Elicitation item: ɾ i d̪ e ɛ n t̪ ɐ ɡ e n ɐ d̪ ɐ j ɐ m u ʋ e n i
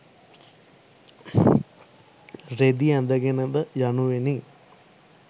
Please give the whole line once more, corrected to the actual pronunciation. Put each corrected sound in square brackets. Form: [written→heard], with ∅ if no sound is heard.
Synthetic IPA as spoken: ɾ [i→e] d̪ [e→i] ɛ n [t̪→d̪] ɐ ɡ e n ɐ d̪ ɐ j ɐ [m→n] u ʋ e n i